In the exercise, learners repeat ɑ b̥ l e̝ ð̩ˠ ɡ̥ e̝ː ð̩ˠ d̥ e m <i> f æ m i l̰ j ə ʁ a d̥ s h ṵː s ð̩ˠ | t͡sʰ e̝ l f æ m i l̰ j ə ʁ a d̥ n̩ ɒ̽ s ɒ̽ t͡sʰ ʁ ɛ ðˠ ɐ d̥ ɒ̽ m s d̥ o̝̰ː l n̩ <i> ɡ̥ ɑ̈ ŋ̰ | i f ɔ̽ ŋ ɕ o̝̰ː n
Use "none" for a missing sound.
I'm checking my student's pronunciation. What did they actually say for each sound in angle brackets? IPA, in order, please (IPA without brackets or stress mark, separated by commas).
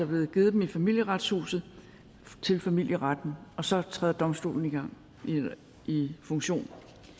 i, i